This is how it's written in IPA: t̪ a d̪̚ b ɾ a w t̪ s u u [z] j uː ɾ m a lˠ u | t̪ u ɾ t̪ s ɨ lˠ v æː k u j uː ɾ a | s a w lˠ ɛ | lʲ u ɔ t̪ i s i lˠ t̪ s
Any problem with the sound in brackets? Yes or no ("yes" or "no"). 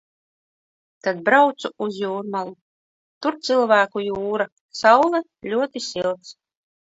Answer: no